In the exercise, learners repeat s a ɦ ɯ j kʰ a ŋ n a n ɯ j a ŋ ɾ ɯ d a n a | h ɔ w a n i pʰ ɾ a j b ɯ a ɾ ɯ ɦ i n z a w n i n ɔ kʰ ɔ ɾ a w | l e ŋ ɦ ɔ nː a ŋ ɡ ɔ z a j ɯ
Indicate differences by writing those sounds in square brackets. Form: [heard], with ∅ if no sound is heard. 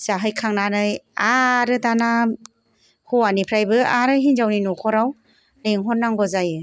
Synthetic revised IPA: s a ɦ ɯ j kʰ a ŋ n a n ɯ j a [∅] ɾ ɯ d a n a | h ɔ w a n i pʰ ɾ a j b ɯ a ɾ ɯ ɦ i n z a w n i n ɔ kʰ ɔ ɾ a w | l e ŋ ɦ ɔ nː a ŋ ɡ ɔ z a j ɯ